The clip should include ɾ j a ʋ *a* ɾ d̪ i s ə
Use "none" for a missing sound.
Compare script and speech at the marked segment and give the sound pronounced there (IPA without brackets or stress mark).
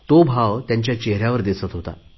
ə